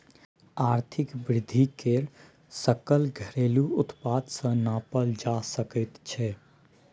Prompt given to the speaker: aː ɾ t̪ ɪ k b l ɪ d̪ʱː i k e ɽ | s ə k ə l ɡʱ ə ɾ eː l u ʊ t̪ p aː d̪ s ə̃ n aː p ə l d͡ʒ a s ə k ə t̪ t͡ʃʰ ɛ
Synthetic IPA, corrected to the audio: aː ɾ t̪ʰ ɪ k b ɾ ɪ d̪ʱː i k e ɾ | s ə k ə l ɡʱ ə ɾ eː l u ʊ t̪ p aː d̪ s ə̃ n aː p ə l d͡ʒ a s ə k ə t̪ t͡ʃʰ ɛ